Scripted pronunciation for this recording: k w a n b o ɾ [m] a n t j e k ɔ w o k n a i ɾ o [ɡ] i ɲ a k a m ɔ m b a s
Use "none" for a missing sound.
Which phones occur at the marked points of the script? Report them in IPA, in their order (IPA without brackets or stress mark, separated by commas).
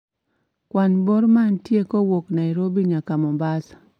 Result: m, b